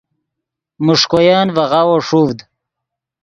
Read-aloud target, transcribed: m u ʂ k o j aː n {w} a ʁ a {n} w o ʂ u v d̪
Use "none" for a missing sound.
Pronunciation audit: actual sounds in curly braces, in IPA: v, none

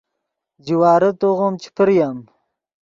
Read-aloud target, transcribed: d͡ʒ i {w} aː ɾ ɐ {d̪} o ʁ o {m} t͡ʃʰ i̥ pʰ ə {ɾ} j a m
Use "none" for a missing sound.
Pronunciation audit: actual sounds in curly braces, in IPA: w, t̪, m, ɾ

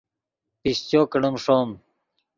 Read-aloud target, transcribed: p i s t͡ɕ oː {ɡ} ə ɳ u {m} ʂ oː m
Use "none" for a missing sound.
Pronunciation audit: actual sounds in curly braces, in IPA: k, m

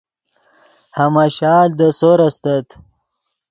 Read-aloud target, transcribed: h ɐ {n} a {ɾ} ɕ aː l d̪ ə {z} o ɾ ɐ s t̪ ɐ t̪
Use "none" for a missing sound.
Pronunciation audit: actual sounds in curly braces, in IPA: m, none, s

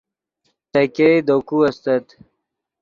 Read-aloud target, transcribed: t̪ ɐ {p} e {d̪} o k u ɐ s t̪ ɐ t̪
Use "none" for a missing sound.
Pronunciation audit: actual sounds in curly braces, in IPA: k, d̪

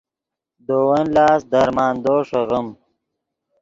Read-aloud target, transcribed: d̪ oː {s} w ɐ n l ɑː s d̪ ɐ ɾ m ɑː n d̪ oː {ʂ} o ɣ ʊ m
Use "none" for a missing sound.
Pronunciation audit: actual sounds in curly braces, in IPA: none, ʂ

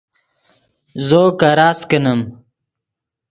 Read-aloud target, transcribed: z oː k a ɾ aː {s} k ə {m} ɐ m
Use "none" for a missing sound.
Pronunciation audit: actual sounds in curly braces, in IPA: s, n

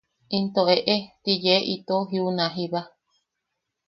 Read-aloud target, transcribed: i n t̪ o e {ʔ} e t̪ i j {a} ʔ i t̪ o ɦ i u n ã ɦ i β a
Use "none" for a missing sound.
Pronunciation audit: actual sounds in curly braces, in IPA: ʔ, e

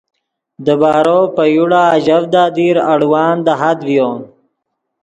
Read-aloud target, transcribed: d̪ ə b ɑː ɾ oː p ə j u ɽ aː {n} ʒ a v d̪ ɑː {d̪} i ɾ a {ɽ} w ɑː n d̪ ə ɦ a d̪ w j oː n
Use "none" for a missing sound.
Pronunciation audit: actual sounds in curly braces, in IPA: none, d̪, ɽ

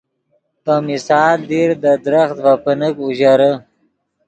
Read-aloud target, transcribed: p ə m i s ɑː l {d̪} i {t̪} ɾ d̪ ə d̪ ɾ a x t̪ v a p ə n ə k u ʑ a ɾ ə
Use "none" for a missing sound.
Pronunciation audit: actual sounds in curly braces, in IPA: d̪, none

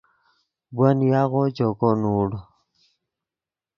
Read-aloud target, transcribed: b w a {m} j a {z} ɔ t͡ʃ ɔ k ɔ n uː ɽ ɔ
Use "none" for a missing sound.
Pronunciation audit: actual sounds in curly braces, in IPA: n, ɣ

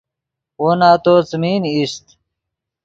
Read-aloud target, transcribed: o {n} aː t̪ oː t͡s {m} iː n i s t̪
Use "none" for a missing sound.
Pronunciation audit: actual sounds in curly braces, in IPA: n, m

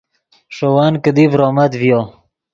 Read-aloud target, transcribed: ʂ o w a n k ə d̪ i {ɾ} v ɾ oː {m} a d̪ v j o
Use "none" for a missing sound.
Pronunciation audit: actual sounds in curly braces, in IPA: none, m

